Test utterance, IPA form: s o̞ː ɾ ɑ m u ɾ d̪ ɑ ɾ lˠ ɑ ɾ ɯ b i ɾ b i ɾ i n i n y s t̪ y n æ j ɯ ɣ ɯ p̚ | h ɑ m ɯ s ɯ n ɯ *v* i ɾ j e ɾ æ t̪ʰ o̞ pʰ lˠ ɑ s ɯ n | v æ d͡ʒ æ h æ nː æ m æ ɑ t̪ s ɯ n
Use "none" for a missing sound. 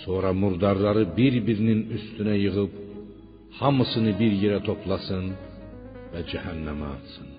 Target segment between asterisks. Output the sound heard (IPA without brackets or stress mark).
b